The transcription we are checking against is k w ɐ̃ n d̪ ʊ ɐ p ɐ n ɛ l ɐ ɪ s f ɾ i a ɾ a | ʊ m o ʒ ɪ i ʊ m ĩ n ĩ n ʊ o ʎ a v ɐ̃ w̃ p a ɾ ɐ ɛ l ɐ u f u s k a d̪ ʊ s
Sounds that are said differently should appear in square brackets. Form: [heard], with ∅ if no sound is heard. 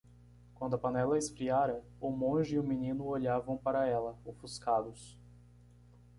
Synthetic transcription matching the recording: k w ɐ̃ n d̪ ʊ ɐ p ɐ n ɛ l ɐ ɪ s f ɾ i a ɾ [ɐ] | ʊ m [õ] ʒ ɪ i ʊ m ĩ n ĩ n ʊ o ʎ a v ɐ̃ w̃ p a ɾ ɐ ɛ l ɐ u f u s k a d̪ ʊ s